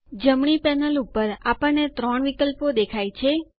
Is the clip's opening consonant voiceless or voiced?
voiced